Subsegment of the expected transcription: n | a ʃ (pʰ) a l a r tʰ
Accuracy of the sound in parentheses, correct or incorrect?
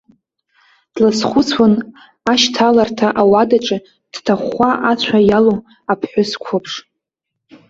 incorrect